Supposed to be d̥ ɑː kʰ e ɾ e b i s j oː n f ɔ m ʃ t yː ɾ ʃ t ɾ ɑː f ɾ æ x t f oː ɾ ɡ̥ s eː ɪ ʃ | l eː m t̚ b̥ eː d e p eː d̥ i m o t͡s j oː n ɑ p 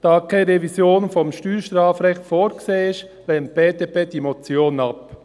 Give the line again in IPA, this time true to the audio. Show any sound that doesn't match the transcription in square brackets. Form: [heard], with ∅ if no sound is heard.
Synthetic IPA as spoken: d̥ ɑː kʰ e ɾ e [v] i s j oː n f ɔ m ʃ t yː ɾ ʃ t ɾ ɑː f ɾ [ɛ] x t f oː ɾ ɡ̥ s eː ɪ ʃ | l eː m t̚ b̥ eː d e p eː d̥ i m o t͡s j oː n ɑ p